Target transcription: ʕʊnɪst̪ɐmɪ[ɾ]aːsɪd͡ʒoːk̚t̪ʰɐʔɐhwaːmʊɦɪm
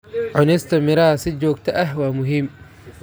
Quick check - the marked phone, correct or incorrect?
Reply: correct